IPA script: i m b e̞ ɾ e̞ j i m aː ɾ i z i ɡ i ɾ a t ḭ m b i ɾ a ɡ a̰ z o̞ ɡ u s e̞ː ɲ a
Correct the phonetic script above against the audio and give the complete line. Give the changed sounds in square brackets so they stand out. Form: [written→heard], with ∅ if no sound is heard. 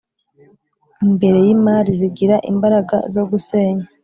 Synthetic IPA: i m b e̞ ɾ e̞ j i m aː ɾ i z i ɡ i ɾ a [t→ʔ] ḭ m b [i→a] ɾ a ɡ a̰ z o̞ ɡ u s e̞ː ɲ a